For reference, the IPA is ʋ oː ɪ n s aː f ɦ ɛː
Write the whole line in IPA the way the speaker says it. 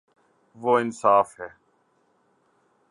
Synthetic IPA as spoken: ʋ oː ɪ n s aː f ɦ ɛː